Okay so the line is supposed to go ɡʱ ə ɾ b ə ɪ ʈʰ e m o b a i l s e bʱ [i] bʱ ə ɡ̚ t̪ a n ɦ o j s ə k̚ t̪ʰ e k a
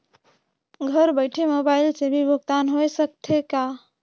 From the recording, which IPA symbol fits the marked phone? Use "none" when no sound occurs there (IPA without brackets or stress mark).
i